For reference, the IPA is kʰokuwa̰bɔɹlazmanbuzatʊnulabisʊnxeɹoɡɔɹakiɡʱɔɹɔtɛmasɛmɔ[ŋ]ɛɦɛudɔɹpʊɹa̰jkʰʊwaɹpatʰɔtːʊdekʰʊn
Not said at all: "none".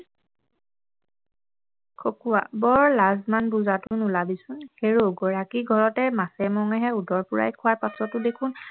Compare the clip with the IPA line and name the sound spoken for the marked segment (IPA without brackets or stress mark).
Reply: ŋ